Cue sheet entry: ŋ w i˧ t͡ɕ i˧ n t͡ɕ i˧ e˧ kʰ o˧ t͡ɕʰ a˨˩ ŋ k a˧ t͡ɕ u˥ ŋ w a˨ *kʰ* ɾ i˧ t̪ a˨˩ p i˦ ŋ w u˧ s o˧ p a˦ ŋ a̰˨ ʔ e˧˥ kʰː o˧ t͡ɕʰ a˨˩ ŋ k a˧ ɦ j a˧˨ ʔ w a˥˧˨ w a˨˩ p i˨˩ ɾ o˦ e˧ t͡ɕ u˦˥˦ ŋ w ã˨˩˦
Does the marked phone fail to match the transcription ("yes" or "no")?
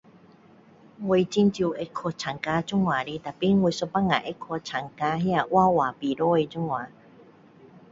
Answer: yes